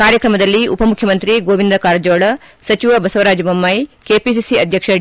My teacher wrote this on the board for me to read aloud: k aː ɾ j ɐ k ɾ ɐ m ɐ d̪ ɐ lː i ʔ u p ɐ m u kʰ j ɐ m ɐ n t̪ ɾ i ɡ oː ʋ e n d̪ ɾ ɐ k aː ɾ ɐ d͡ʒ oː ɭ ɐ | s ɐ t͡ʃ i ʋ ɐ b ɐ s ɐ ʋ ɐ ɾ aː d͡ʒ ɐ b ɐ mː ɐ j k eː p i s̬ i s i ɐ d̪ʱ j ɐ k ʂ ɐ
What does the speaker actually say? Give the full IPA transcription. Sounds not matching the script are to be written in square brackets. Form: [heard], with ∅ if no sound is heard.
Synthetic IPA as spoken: k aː ɾ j ɐ k ɾ ɐ m ɐ d̪ ɐ lː i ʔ u p ɐ m u kʰ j ɐ m ɐ n t̪ ɾ i ɡ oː ʋ [i] n d̪ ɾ ɐ k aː ɾ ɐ d͡ʒ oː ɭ ɐ | s ɐ t͡ʃ i ʋ ɐ b ɐ s ɐ ʋ ɐ ɾ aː d͡ʒ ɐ b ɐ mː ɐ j k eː p i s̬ i s i ɐ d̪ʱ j ɐ k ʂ ɐ